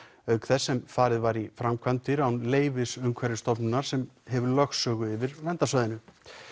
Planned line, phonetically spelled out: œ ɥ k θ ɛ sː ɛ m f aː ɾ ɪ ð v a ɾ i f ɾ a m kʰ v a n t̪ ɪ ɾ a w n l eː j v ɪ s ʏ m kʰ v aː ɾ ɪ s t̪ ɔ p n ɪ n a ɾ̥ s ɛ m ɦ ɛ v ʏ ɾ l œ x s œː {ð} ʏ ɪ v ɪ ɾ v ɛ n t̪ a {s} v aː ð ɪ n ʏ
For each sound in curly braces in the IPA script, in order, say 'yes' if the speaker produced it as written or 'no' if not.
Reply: no, yes

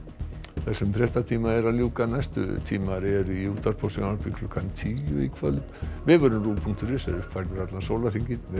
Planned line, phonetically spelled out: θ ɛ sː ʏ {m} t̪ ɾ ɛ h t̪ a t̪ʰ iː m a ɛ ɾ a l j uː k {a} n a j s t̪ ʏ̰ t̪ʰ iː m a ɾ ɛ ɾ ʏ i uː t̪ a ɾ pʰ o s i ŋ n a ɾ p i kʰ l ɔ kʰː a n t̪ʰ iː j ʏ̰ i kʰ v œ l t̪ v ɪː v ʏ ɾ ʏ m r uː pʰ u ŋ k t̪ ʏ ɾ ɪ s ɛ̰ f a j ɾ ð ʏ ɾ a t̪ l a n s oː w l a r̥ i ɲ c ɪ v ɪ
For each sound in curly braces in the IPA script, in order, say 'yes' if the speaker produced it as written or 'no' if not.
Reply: yes, yes

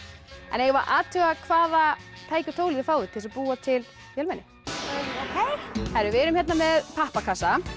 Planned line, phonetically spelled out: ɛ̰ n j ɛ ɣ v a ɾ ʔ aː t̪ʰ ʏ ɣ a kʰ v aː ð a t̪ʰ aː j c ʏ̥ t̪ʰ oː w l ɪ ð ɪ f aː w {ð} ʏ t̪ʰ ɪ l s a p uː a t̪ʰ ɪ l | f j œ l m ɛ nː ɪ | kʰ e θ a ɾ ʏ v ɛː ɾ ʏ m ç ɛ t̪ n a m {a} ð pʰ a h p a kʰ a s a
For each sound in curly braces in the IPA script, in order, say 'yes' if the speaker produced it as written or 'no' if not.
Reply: yes, no

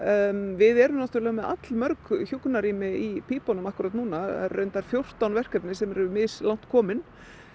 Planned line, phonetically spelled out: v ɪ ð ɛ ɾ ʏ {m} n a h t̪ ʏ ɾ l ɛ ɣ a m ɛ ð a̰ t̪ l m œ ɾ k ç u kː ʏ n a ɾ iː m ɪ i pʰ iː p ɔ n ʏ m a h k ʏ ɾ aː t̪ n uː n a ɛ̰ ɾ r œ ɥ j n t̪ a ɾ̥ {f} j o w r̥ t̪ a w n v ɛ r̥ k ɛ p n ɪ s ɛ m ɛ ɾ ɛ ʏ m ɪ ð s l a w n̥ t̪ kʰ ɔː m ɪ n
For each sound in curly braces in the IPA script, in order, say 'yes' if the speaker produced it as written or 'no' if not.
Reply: yes, yes

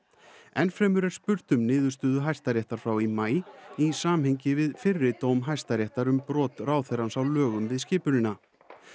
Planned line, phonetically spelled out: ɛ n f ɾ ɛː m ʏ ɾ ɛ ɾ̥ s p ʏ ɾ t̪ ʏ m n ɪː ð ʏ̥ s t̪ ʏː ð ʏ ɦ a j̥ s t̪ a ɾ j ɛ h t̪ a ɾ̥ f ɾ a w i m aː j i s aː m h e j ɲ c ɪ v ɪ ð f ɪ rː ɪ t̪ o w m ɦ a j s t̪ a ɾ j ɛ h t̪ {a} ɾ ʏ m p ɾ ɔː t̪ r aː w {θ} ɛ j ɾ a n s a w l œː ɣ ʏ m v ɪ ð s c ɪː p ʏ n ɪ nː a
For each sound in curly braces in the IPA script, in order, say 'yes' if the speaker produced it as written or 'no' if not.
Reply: yes, yes

